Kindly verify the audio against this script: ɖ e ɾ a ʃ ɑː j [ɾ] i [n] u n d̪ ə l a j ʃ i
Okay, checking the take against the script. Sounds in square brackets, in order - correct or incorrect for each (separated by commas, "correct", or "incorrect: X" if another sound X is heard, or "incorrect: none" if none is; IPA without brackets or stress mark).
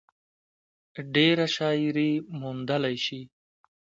correct, incorrect: m